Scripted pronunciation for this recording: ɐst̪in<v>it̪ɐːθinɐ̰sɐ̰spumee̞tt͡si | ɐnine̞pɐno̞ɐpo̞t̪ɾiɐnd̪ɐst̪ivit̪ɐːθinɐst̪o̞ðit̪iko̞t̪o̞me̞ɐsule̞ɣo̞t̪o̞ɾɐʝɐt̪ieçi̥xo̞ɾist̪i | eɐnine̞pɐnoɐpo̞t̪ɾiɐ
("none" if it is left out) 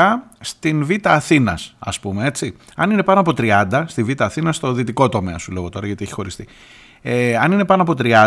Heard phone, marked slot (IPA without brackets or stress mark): v